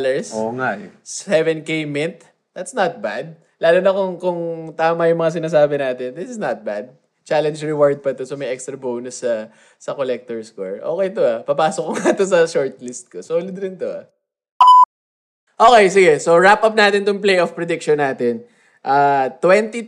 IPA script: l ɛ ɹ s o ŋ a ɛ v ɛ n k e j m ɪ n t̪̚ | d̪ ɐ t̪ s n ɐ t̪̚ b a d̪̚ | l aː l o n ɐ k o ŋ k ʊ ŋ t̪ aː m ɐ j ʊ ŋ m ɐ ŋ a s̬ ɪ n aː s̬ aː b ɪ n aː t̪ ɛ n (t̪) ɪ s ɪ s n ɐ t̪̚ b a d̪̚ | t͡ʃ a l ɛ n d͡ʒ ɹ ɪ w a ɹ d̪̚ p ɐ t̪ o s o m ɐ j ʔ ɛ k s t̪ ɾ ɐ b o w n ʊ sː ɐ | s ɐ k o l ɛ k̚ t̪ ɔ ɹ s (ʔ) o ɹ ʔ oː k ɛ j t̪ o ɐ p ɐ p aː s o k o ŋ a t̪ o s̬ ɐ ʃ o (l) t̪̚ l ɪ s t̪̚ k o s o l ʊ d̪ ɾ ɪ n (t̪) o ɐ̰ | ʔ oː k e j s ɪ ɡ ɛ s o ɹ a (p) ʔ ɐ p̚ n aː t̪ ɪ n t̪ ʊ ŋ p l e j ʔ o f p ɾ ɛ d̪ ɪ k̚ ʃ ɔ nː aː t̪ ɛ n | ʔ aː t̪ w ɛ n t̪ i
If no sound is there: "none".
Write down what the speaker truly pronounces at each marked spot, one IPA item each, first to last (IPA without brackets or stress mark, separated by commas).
d̪, k, ɹ, t̪, p